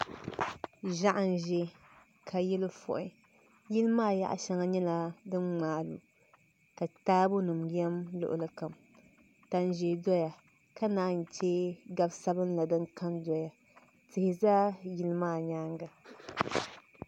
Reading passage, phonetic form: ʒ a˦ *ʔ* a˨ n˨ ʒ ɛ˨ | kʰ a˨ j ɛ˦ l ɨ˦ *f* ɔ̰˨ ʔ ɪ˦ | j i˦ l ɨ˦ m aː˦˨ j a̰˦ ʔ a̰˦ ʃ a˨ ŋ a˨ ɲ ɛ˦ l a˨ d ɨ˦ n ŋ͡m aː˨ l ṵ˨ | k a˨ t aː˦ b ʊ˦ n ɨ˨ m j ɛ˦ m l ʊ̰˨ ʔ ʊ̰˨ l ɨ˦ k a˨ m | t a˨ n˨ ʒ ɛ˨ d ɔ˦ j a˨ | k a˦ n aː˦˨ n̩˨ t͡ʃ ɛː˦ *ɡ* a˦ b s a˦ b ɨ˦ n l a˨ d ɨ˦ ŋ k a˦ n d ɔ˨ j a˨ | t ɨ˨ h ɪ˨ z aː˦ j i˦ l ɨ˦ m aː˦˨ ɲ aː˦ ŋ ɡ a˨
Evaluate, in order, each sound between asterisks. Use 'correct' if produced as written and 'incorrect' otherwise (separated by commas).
correct, correct, correct